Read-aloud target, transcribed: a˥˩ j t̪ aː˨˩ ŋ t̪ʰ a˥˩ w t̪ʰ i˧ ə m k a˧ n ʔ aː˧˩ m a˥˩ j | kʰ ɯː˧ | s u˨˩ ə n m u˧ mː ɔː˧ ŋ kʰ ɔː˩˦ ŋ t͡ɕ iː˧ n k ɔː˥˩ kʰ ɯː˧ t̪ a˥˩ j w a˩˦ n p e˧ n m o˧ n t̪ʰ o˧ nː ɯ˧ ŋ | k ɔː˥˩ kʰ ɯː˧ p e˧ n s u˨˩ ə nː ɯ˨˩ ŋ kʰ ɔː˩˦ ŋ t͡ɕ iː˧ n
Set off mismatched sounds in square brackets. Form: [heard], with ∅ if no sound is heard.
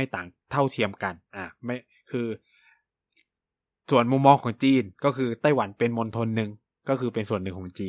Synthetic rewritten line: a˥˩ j t̪ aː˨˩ ŋ t̪ʰ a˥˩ w t̪ʰ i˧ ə m k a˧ n ʔ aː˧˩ m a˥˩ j | kʰ ɯː˧ | s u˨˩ ə n m u˧ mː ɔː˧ ŋ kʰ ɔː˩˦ ŋ t͡ɕ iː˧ n k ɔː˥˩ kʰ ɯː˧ t̪ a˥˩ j w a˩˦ n p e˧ n m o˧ n t̪ʰ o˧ nː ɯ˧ ŋ | k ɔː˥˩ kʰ ɯː˧ p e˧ n s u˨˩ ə nː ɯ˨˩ ŋ kʰ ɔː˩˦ ŋ t͡ɕ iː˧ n